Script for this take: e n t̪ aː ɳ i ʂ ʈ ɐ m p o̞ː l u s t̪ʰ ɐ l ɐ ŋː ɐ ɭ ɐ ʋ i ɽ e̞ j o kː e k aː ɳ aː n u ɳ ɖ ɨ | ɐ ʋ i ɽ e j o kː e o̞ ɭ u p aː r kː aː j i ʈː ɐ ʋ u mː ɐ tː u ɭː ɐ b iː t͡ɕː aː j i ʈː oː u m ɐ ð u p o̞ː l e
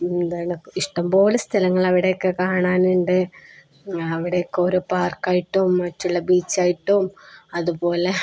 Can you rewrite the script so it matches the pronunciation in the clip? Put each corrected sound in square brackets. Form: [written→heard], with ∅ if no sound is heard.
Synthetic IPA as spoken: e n [t̪→d̪] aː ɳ i ʂ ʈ ɐ m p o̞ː l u s t̪ʰ ɐ l ɐ ŋː ɐ ɭ ɐ ʋ i ɽ e̞ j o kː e k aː ɳ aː n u ɳ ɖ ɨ | ɐ ʋ i ɽ e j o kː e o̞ [ɭ→ɾ] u p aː r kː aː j i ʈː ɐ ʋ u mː ɐ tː u ɭː ɐ b iː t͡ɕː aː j i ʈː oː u m ɐ ð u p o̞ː l e